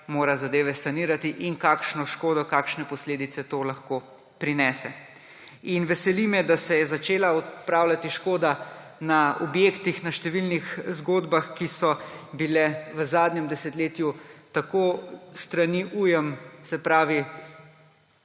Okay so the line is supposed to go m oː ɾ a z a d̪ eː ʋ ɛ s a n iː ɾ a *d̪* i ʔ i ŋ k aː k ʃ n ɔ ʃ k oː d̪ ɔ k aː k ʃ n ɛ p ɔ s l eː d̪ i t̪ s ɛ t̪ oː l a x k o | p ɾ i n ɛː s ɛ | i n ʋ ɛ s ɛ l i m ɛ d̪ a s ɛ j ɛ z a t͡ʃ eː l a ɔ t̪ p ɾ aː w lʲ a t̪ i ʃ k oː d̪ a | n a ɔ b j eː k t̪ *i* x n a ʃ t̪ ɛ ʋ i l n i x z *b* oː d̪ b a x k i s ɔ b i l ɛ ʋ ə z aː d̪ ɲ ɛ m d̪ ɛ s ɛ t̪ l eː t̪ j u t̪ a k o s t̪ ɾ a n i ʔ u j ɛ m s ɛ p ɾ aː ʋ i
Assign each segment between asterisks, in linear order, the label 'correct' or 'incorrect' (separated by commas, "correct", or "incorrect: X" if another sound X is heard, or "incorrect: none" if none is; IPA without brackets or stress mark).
incorrect: t̪, correct, incorrect: ɡ